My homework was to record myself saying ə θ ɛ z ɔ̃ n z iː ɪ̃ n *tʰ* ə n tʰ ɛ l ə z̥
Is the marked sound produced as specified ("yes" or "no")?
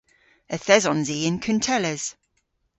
no